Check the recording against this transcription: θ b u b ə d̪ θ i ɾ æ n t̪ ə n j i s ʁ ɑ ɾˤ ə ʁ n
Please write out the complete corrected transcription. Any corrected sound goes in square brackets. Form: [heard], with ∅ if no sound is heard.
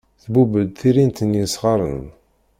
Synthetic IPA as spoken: θ b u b ə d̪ θ i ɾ [i] n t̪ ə n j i s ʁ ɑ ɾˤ ə [∅] n